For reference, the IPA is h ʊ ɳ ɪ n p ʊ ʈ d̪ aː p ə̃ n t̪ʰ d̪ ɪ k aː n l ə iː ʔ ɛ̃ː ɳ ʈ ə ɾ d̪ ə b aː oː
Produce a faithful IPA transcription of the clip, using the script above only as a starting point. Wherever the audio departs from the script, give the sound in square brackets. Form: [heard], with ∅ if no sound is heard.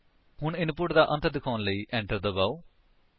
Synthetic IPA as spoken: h ʊ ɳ ɪ n p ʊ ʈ d̪ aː [ʔ] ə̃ n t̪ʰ d̪ ɪ [kʰ] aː n l ə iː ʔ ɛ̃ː ɳ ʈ ə ɾ d̪ ə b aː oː